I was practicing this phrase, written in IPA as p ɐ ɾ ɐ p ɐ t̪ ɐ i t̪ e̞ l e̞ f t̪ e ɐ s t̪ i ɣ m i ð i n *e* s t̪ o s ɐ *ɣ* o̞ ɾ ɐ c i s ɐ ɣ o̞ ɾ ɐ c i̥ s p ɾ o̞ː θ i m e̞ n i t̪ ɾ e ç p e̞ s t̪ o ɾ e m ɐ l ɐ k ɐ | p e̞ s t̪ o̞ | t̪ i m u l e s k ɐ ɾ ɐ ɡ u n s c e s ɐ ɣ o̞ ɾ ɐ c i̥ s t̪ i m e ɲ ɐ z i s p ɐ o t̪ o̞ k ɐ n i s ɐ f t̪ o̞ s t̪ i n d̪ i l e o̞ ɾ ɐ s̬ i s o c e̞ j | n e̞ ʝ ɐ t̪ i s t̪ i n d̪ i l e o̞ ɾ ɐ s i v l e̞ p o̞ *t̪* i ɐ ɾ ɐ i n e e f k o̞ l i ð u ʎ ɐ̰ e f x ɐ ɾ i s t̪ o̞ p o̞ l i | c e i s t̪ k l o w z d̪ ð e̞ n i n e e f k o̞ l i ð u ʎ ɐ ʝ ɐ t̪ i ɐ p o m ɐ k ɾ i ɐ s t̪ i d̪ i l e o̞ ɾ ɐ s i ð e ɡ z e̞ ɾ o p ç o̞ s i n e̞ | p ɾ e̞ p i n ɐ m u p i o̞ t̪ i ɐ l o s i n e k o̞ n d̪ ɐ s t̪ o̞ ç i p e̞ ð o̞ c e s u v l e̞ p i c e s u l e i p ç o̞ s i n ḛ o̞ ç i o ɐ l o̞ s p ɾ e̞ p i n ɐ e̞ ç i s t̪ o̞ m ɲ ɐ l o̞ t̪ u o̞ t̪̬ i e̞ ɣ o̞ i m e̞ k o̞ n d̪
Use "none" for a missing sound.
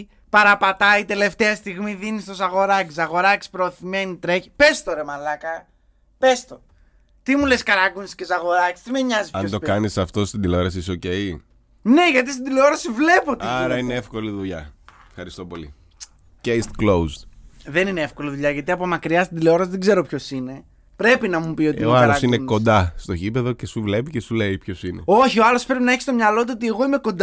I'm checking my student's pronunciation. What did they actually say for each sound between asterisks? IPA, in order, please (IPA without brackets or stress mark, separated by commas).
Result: i, ɣ, t̪